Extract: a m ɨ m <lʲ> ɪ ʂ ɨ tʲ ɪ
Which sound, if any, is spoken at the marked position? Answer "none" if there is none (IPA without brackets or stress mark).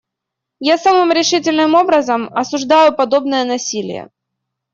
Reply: ɾʲ